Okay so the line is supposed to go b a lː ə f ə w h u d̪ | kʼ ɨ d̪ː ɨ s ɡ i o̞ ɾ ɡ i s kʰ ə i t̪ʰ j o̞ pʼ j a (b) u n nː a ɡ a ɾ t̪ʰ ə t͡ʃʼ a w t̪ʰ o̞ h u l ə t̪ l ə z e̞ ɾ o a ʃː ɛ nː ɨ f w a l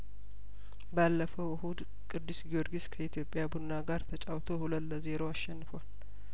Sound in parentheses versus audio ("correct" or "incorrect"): correct